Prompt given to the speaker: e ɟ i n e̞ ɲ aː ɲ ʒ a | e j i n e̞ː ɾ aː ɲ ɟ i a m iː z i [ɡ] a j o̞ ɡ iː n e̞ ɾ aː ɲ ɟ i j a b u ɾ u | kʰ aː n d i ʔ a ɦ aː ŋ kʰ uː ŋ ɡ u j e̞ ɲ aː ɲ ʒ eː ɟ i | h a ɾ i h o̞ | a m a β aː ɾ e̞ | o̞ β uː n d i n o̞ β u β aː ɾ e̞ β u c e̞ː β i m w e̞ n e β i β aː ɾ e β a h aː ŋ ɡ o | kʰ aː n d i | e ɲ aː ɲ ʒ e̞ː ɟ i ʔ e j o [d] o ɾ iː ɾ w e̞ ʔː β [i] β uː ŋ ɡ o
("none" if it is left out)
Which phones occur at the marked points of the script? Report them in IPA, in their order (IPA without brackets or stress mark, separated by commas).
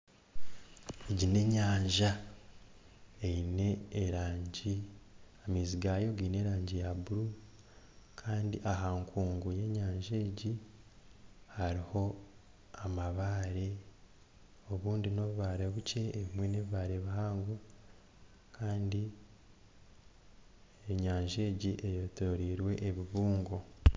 ɡ, t, i